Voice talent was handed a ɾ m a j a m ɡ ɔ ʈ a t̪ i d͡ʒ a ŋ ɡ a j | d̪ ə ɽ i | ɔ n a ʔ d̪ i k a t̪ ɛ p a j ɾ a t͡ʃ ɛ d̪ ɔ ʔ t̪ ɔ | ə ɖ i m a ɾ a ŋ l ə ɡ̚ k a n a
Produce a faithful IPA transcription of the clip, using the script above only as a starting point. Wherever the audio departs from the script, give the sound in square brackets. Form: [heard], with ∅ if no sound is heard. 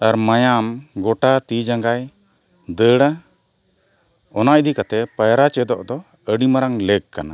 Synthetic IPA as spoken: a ɾ m a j a m ɡ ɔ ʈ a t̪ i d͡ʒ a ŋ ɡ a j | d̪ ə ɽ [a] | ɔ n a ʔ d̪ i k a t̪ ɛ p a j ɾ a t͡ʃ ɛ d̪ ɔ ʔ [d̪] ɔ | ə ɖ i m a ɾ a ŋ l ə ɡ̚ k a n a

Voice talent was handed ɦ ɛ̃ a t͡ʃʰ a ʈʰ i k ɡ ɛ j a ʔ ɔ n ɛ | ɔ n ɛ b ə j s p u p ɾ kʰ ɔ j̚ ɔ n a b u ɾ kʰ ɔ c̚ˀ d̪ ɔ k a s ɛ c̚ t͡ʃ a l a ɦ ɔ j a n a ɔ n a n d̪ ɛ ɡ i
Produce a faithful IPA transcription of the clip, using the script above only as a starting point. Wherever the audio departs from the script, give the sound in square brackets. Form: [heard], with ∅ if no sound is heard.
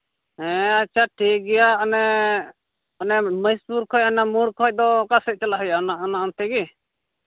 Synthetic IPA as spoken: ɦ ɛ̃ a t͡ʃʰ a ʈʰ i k ɡ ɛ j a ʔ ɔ n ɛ | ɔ n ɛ [m] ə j s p u [∅] ɾ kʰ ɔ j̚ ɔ n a [m] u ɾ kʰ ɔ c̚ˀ d̪ ɔ k a s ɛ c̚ t͡ʃ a l a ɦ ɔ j a n a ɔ n a n [t̪] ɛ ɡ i

